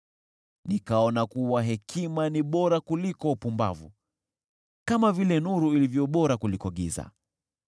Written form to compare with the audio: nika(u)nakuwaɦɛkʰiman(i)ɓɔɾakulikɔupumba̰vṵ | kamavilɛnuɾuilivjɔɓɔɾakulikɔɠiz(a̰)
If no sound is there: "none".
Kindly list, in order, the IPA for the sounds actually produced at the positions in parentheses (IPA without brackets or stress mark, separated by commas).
ɔ, i, a̰